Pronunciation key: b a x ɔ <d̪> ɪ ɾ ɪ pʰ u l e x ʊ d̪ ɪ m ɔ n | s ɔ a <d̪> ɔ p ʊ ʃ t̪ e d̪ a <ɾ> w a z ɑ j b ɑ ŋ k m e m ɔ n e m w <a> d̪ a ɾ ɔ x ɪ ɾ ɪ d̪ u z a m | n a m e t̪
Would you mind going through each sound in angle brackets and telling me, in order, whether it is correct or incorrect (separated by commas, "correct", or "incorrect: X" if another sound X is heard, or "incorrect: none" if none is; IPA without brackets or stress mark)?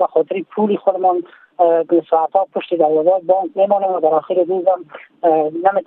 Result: incorrect: t̪, incorrect: t̪, correct, correct